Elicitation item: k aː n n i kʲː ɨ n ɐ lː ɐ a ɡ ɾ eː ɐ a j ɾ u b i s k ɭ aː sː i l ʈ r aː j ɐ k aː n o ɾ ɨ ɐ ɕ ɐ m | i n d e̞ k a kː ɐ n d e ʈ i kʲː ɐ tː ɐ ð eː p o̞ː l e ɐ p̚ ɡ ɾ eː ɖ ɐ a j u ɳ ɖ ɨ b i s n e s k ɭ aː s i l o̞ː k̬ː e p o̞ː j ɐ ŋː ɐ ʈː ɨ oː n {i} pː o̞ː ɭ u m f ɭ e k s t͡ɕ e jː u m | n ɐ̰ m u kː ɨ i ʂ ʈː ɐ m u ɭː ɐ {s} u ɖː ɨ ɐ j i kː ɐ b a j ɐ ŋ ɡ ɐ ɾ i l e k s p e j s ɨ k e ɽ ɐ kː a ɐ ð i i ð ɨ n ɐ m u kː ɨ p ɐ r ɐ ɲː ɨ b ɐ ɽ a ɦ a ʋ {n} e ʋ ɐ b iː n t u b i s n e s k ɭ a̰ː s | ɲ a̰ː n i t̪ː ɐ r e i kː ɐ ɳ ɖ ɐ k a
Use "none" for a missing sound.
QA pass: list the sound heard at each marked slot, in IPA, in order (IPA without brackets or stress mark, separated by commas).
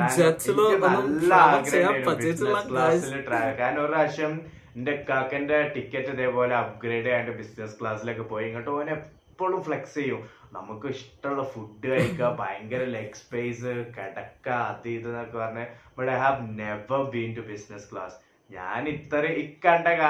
e, f, n